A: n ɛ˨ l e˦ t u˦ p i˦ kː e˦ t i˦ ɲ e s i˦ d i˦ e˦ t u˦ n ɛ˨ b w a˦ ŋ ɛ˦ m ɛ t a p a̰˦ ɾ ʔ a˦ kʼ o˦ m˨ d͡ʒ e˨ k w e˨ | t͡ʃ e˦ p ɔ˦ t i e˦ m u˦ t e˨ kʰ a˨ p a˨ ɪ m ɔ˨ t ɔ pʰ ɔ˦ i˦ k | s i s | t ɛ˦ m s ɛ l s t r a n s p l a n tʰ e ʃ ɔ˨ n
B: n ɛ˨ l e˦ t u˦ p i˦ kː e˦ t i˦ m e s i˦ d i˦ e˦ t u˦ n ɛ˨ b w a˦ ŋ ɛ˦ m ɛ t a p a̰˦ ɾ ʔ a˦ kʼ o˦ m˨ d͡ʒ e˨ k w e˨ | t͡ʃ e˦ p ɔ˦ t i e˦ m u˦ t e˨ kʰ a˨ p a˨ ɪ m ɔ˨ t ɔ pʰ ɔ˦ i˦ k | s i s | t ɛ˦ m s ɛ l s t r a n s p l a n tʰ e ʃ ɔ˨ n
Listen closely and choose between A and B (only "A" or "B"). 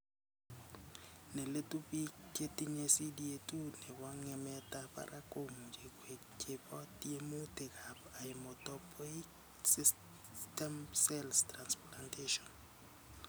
A